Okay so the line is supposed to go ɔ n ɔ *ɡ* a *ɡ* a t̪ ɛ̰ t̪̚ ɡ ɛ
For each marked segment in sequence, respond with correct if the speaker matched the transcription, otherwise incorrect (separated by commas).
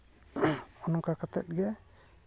incorrect, incorrect